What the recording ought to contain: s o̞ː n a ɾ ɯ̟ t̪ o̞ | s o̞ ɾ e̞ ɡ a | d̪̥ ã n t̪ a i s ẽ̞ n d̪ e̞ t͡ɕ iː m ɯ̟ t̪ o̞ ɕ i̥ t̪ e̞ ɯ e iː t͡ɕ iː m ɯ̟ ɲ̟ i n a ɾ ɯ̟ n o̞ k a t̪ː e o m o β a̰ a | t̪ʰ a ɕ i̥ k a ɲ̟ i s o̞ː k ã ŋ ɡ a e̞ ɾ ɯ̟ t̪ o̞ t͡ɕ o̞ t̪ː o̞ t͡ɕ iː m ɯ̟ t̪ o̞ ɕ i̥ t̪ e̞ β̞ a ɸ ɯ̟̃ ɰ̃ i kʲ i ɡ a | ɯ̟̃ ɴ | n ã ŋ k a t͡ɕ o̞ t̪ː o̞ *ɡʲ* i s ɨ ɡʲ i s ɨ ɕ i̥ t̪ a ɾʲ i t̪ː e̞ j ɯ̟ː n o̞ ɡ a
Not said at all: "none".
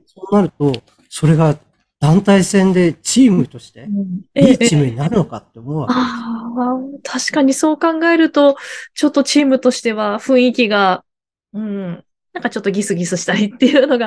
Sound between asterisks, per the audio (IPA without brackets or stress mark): ɡʲ